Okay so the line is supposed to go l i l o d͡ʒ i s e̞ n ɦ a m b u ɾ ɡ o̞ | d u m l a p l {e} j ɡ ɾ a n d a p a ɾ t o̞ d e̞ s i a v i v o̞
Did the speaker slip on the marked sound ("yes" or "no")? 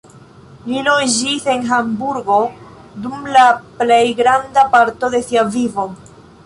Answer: no